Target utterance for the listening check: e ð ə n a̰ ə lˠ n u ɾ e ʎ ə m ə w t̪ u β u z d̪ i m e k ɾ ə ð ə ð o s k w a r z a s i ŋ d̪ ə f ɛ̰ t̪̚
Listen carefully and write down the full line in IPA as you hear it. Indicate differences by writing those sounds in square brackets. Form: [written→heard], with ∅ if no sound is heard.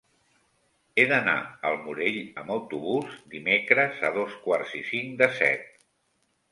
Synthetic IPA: e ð ə n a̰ ə lˠ [n→m] u ɾ e ʎ ə m ə w t̪ u β u z d̪ i m e k ɾ ə [ð→z] ə ð o s k w a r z [a→i] s i ŋ d̪ ə [f→s] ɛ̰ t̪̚